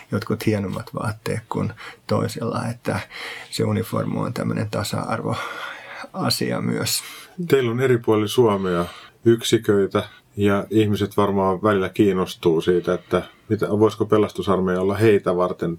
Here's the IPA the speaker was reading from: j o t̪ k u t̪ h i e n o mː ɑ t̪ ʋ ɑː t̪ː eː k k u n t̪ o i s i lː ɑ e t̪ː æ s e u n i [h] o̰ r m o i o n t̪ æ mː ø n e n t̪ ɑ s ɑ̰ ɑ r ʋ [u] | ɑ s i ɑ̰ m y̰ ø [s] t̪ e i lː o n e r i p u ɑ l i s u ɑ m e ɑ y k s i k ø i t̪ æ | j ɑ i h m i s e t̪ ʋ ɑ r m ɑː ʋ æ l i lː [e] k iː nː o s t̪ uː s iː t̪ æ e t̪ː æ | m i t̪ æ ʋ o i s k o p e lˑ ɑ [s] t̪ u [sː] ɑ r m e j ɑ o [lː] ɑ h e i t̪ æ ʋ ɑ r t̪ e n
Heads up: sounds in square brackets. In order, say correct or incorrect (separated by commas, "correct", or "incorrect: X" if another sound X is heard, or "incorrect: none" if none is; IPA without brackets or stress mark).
incorrect: f, incorrect: o, correct, incorrect: æ, correct, incorrect: s, correct